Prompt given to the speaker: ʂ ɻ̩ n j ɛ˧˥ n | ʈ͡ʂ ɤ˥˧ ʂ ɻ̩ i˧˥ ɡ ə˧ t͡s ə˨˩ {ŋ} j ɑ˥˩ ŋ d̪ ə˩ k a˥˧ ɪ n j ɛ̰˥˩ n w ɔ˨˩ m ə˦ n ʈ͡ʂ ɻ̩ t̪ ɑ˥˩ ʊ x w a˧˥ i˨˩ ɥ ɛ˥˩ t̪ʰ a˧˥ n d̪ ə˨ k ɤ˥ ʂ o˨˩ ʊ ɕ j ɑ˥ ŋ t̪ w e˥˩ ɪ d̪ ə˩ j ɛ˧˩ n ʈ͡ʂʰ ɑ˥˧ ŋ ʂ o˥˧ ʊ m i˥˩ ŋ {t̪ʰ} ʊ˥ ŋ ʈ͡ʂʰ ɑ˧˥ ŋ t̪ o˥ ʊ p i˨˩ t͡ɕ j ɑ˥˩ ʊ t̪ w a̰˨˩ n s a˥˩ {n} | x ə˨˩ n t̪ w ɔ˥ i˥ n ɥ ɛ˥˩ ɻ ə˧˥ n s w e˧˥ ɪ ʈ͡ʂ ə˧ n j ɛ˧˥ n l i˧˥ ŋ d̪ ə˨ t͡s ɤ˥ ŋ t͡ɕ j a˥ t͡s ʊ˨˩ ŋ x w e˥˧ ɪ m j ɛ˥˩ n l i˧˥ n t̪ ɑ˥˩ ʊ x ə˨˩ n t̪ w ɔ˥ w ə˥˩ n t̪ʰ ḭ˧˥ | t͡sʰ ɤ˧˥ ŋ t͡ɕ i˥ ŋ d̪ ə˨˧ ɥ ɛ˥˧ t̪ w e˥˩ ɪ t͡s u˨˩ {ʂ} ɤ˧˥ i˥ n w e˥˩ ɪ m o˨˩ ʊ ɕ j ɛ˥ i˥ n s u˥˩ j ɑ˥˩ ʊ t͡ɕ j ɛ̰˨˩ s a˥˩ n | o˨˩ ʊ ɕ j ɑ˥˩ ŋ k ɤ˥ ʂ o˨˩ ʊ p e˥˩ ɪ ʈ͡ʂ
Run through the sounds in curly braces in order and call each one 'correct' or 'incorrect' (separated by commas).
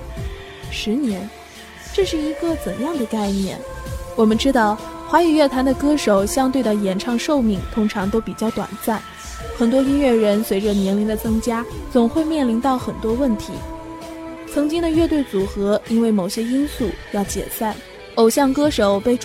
incorrect, correct, correct, incorrect